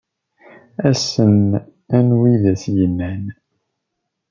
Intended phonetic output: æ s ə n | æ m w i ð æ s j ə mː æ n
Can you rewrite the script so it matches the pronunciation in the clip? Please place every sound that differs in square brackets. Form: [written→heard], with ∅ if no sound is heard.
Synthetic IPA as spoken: æ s ə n | æ [m→n] w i ð æ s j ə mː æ n

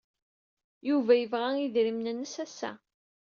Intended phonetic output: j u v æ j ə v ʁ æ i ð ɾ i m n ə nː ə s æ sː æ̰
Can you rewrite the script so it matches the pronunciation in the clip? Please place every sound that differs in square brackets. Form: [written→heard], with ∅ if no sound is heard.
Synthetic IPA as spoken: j u v æ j ə v ʁ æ i ð ɾ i m n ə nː ə s æ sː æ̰

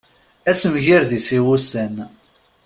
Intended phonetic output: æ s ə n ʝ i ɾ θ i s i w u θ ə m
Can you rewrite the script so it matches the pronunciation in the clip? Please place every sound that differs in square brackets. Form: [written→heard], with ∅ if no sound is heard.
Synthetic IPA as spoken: æ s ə [n→m] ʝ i ɾ [θ→ð] i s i w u [θ→s] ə [m→n]

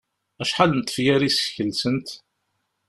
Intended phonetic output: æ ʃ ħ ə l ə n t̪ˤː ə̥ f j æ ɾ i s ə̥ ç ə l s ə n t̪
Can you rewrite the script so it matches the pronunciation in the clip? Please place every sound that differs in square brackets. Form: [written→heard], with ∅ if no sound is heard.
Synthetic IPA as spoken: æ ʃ ħ [ə→a] l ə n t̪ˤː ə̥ f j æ ɾ i s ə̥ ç ə l s ə n t̪

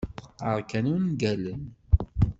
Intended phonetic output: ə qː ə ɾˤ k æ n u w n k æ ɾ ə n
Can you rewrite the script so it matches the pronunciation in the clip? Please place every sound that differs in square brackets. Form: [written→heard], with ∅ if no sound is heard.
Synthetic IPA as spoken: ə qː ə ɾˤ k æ n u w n [k→ɡ] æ [ɾ→l] ə n

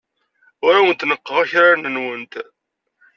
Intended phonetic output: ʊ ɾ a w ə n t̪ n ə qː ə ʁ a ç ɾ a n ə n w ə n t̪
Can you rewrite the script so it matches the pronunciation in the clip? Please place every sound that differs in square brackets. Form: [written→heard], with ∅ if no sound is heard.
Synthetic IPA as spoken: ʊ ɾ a w ə n t̪ n ə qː ə ʁ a ç ɾ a n ə n w ə n t̪

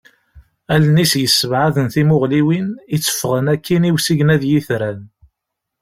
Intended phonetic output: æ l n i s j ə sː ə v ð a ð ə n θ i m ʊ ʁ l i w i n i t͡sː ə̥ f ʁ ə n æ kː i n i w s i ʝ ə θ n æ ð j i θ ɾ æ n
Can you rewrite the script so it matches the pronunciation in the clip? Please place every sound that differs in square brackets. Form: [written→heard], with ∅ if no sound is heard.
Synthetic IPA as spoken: æ l n i s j ə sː ə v [ð→ʕ] a ð ə n θ i m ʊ ʁ l i w i n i t͡sː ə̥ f ʁ ə n æ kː i n i w s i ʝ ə [θ→∅] n æ ð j i θ ɾ æ n

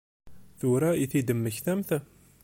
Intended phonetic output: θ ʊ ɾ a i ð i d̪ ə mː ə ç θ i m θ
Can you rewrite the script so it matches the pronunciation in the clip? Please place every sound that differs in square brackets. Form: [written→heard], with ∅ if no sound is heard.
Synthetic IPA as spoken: θ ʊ ɾ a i [ð→θ] i d̪ ə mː ə ç θ [i→æ] m θ

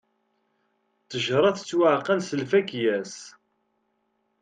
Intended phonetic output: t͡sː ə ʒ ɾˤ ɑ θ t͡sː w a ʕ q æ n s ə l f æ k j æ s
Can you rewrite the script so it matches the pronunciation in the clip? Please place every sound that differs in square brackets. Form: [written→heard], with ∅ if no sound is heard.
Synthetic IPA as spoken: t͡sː ə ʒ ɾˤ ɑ θ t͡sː w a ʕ q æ n s ə l f æ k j æ s

